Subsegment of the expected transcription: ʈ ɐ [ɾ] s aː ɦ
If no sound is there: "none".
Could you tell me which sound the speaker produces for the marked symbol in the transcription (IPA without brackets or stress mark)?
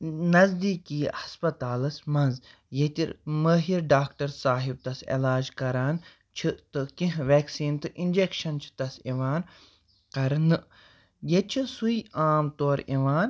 ɾ